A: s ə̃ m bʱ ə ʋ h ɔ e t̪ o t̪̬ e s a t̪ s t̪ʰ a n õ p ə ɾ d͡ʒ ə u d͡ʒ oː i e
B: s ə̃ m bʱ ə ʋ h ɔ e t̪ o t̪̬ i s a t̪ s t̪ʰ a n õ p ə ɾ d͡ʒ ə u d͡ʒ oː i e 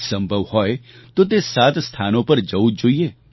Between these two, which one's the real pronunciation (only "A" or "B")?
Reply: A